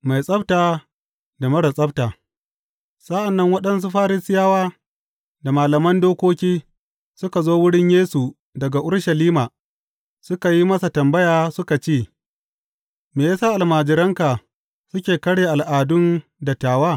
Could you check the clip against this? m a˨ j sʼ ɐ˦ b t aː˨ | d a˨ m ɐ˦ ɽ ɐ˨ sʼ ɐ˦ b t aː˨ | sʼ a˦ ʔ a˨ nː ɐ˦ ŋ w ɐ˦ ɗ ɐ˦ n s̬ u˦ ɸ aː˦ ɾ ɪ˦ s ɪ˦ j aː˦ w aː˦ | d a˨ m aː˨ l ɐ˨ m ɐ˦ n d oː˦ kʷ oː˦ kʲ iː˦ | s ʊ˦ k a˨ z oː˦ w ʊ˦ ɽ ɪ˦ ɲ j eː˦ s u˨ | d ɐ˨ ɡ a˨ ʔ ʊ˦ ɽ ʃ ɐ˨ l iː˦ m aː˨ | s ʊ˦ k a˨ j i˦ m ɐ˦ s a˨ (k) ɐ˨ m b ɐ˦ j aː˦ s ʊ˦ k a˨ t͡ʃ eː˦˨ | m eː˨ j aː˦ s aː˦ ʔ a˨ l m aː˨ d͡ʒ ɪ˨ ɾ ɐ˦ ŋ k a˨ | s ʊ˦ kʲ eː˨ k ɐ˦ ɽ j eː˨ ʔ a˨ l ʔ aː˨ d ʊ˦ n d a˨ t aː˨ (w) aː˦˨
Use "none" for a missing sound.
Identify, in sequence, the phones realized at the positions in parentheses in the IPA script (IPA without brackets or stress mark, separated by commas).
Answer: t, w